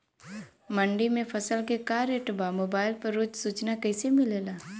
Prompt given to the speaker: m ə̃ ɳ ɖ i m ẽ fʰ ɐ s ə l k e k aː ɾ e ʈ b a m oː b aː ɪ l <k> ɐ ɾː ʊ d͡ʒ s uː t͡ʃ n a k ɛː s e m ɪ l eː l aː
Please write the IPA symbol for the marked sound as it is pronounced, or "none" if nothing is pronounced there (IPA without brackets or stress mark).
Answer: p